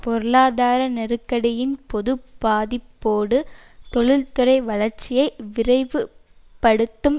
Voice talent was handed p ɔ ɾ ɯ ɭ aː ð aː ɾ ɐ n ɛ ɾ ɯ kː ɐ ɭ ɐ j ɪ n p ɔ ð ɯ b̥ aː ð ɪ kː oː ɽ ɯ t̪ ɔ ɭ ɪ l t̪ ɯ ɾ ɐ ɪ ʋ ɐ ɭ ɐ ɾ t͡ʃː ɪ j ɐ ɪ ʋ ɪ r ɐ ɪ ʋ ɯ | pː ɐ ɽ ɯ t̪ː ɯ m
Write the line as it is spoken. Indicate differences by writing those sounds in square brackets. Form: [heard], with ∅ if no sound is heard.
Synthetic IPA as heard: p ɔ ɾ ɯ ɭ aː ð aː ɾ ɐ n ɛ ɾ ɯ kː ɐ [ɽ] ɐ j ɪ n p ɔ ð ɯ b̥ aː ð ɪ [pː] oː ɽ ɯ t̪ ɔ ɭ ɪ l t̪ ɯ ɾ ɐ ɪ ʋ ɐ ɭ ɐ ɾ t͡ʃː ɪ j ɐ ɪ ʋ ɪ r ɐ ɪ ʋ ɯ | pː ɐ ɽ ɯ t̪ː ɯ m